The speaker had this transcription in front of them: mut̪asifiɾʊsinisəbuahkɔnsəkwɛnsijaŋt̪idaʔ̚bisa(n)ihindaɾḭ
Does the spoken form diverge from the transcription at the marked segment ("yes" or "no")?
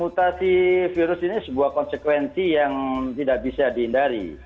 yes